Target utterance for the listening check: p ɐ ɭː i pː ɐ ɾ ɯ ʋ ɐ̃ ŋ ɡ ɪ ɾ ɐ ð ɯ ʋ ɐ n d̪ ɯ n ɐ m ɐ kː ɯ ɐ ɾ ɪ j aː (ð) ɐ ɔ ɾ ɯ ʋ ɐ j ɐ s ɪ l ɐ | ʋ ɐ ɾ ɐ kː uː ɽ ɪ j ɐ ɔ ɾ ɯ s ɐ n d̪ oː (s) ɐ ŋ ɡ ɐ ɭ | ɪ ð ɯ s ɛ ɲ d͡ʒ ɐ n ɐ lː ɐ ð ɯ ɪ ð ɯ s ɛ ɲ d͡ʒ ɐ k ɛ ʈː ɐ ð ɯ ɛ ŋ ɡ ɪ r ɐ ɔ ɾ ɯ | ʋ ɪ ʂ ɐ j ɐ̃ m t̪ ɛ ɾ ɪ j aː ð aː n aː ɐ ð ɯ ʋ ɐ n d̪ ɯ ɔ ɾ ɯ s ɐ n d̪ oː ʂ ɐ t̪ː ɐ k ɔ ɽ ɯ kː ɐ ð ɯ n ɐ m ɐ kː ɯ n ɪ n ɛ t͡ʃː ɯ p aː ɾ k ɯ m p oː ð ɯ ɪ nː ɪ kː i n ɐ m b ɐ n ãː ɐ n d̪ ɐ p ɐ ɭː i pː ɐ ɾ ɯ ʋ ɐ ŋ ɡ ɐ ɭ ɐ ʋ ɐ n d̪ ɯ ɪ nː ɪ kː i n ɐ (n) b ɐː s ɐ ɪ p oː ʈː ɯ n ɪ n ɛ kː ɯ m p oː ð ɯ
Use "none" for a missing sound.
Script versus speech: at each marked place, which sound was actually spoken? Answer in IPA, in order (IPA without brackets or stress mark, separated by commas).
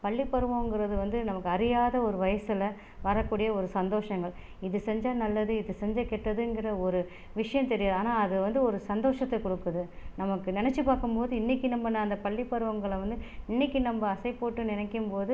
ð, ʂ, m